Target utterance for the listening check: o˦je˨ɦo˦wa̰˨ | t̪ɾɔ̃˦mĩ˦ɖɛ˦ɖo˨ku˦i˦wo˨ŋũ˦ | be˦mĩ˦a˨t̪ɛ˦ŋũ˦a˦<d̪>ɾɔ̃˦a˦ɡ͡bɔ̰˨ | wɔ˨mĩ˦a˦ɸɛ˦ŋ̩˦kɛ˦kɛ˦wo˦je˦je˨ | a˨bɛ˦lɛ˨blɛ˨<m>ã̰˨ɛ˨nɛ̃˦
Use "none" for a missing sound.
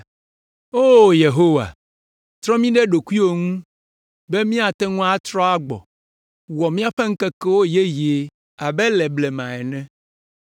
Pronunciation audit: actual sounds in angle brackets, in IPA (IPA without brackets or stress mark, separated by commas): t̪, m